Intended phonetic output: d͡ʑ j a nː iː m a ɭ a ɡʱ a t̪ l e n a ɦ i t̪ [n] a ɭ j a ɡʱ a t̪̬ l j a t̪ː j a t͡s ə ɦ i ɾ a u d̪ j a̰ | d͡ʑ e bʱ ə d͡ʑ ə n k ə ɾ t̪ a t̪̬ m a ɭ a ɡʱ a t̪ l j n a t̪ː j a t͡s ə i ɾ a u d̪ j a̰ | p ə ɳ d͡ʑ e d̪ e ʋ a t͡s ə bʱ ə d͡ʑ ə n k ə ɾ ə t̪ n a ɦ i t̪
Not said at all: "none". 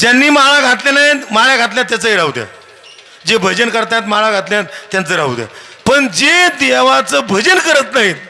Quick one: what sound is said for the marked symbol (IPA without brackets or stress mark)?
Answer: m